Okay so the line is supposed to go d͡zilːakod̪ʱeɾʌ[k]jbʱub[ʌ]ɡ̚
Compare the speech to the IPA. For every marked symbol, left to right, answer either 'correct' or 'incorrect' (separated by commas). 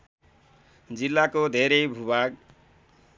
incorrect, incorrect